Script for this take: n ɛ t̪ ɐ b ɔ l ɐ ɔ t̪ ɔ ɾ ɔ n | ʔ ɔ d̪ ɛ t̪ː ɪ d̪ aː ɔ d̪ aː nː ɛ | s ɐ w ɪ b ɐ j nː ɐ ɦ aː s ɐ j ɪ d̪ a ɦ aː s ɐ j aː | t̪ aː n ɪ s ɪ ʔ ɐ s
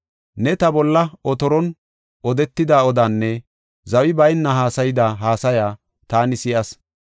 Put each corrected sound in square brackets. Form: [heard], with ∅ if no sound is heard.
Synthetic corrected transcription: n ɛ t̪ ɐ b ɔ [lː] ɐ ɔ t̪ ɔ ɾ ɔ n | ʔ ɔ d̪ ɛ t̪ː ɪ d̪ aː ɔ d̪ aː nː ɛ | [z] ɐ w ɪ b ɐ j nː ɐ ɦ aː s ɐ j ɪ d̪ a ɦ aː s ɐ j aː | t̪ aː n ɪ s ɪ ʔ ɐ s